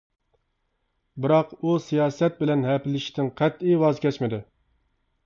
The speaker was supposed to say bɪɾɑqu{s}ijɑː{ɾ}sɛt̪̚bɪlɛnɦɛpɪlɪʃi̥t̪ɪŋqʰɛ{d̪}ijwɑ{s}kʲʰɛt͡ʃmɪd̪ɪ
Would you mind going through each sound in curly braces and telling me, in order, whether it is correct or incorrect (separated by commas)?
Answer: correct, incorrect, incorrect, incorrect